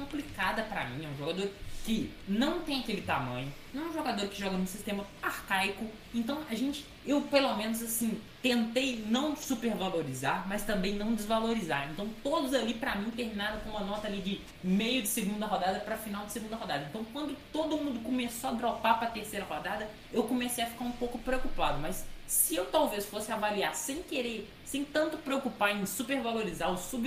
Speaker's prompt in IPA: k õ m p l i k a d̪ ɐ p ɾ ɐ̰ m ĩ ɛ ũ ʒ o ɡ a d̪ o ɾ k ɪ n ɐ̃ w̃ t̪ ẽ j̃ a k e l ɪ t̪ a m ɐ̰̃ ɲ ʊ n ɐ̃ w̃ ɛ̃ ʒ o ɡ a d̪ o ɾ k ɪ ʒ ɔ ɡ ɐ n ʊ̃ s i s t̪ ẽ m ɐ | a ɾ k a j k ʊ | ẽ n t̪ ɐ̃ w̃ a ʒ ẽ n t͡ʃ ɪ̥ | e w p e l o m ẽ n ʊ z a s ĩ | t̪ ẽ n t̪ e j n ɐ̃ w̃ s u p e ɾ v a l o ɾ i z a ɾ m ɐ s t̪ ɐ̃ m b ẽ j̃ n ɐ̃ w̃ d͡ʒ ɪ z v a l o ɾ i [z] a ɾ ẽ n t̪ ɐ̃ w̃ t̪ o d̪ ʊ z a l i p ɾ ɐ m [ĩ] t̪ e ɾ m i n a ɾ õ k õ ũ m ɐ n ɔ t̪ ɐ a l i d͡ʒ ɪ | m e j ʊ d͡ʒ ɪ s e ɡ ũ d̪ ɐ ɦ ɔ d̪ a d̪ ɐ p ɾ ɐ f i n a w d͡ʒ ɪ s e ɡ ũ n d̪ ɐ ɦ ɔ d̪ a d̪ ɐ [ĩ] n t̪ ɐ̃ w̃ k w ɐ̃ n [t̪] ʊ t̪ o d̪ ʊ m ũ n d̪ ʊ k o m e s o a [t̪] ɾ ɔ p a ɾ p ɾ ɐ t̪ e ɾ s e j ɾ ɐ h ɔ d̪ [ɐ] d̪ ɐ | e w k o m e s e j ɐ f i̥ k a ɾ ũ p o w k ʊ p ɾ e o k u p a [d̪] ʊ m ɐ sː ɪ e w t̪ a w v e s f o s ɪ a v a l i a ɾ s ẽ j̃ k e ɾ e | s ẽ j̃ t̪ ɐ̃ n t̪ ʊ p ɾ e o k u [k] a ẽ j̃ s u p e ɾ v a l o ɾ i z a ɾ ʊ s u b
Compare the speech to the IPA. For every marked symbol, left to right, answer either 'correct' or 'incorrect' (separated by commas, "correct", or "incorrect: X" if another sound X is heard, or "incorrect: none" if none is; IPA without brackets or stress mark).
correct, correct, incorrect: ẽ, incorrect: d̪, incorrect: d̪, incorrect: a, correct, incorrect: p